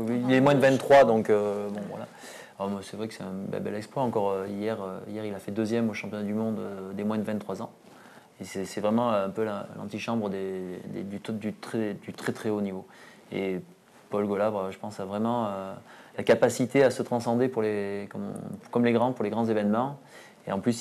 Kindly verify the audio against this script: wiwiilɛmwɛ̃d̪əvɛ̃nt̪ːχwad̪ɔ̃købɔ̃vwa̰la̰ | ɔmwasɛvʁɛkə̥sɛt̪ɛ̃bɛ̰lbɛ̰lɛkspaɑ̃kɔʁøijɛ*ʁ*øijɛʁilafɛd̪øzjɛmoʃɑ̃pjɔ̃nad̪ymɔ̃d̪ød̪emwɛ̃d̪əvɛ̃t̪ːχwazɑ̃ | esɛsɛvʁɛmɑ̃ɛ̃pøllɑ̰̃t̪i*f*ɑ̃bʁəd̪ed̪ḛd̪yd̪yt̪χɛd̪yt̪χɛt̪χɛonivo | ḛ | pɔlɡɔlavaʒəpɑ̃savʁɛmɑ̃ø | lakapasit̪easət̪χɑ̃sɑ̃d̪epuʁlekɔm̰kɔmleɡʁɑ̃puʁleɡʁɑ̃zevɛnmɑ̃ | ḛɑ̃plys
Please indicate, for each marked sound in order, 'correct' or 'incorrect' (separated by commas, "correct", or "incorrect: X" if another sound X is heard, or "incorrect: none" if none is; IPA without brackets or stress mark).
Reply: correct, incorrect: ʃ